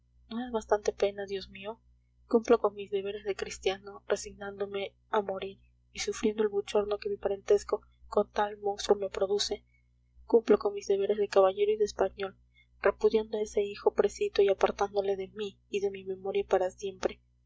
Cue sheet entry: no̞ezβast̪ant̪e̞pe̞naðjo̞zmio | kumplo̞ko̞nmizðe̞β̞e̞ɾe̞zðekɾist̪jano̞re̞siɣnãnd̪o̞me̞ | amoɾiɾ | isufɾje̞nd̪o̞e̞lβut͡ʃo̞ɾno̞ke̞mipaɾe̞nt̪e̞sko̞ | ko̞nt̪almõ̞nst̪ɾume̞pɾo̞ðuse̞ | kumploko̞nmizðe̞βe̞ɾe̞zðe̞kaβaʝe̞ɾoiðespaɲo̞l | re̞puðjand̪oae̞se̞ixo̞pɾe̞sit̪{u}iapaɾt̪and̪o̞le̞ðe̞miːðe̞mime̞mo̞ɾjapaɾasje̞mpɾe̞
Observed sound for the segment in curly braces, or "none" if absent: o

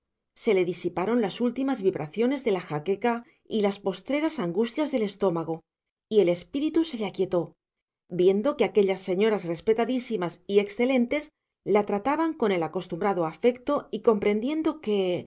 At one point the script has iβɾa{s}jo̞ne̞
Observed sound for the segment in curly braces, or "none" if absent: θ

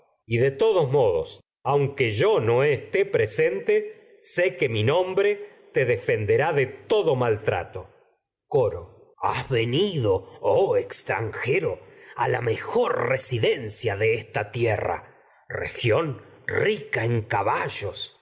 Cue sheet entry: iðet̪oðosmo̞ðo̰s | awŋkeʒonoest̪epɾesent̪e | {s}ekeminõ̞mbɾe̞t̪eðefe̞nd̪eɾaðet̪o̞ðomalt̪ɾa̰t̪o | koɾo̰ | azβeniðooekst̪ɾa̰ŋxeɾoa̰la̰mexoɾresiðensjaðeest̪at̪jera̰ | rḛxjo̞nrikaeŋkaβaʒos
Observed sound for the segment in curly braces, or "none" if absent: s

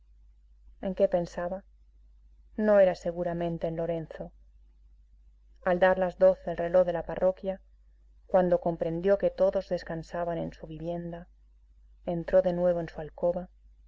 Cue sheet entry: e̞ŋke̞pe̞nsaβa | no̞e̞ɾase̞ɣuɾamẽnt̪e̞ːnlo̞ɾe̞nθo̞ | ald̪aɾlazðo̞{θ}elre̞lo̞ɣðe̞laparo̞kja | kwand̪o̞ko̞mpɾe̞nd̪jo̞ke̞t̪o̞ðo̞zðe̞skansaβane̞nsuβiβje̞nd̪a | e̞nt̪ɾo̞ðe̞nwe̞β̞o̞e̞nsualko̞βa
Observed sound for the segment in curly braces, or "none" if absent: θ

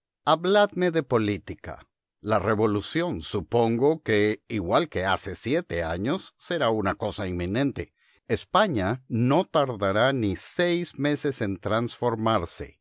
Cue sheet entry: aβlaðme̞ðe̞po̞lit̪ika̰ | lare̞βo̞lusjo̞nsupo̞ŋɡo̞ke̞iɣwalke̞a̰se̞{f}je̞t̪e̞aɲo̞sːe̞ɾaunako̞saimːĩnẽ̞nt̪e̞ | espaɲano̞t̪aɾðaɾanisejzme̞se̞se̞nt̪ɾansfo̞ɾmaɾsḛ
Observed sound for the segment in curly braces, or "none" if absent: s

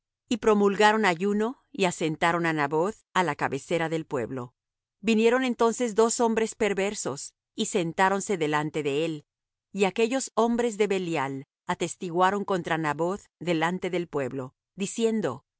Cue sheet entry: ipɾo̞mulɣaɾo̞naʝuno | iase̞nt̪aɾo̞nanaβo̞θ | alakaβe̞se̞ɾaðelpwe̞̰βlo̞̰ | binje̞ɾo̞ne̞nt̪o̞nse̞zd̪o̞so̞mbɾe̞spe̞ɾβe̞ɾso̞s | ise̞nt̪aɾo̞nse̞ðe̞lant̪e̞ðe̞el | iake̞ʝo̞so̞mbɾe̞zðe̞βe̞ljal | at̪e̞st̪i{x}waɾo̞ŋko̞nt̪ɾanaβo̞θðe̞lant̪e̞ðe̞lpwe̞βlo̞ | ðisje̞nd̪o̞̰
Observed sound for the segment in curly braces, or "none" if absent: ɣ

